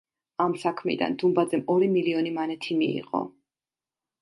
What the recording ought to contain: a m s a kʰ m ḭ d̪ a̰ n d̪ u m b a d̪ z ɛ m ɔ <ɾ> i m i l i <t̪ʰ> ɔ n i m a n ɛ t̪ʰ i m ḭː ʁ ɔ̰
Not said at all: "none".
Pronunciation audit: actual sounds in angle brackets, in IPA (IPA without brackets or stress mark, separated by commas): ɾ, none